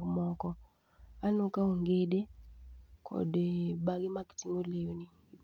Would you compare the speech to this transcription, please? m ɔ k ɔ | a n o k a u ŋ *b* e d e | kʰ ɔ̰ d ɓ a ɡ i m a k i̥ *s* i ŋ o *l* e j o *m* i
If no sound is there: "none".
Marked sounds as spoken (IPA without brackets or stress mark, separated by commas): ɡ, t, l, n